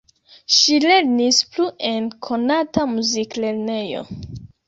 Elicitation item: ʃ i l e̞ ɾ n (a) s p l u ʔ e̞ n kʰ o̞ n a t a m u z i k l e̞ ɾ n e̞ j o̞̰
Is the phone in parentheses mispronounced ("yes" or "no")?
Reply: yes